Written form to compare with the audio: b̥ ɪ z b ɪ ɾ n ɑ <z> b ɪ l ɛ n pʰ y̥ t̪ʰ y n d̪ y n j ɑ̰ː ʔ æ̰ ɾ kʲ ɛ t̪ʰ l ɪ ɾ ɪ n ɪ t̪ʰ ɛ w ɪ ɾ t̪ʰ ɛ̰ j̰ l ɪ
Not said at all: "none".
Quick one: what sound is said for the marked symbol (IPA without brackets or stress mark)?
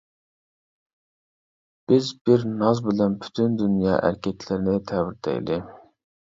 z